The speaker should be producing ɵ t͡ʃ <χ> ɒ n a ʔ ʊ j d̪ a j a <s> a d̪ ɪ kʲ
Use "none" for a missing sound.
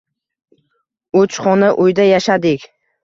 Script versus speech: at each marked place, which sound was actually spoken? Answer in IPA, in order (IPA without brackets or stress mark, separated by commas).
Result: χ, ʃ